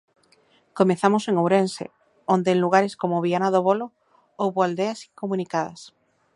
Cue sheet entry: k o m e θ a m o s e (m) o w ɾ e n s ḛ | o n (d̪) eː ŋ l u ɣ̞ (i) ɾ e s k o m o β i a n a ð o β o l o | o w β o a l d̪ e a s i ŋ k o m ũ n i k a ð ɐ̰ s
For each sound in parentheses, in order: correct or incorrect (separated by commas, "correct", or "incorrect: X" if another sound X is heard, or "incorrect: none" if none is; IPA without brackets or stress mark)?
incorrect: ŋ, correct, incorrect: a